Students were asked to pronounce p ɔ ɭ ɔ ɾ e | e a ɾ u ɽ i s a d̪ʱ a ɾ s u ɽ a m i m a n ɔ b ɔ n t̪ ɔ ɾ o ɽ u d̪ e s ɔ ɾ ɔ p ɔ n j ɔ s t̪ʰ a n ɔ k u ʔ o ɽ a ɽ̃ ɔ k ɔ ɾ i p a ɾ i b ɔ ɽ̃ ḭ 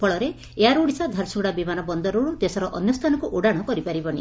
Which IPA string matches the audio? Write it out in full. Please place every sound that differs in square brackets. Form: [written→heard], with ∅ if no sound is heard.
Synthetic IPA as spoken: p ɔ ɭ ɔ ɾ e | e a ɾ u ɽ i s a d̪ʱ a ɾ s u ɽ a [m→b] i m a n ɔ b ɔ n [t̪→d̪] ɔ ɾ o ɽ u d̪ e s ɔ ɾ ɔ [p→ʔ] ɔ n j ɔ s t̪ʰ a n ɔ k u ʔ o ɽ a ɽ̃ ɔ k ɔ ɾ i p a ɾ i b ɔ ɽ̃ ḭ